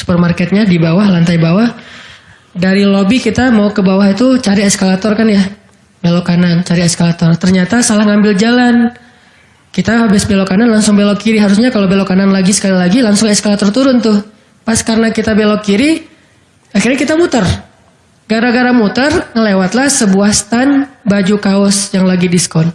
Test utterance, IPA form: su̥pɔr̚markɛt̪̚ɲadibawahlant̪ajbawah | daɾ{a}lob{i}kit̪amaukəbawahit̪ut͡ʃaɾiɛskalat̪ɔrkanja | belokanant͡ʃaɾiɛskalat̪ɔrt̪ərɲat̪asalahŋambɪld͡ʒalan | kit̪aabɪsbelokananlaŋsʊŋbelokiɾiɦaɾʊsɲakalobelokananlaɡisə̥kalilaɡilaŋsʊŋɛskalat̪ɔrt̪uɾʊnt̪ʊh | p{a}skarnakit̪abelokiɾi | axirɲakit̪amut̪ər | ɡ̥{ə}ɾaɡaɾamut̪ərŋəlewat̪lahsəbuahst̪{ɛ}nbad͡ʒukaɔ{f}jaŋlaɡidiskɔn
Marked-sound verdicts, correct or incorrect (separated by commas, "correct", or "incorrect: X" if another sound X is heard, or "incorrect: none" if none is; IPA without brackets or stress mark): incorrect: i, correct, correct, incorrect: a, incorrect: a, incorrect: s